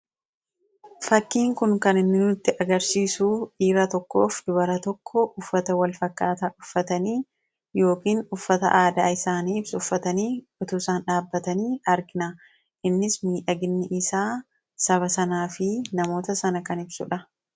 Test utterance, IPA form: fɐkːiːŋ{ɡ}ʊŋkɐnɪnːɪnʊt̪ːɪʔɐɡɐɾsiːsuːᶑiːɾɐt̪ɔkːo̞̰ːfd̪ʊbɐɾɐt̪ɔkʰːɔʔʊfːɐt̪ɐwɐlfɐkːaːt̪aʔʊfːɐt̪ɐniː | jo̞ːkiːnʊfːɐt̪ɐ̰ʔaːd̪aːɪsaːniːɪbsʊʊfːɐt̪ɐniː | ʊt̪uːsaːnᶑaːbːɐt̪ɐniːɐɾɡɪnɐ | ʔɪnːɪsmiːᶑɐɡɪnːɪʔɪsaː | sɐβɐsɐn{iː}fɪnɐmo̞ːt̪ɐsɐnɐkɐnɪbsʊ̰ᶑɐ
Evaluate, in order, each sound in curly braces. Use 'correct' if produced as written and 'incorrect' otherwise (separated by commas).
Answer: incorrect, incorrect